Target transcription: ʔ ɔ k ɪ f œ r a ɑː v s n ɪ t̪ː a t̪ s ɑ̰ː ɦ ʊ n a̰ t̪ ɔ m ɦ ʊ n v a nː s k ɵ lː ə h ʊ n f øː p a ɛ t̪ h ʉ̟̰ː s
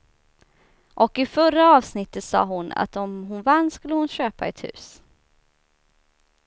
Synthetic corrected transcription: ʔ ɔ k ɪ f œ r a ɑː v s n ɪ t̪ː ə t̪ s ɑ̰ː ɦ ʊ n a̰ t̪ ɔ m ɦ ʊ n v a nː s k ɵ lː ə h ʊ n ɕ øː p a ɛ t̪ h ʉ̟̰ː s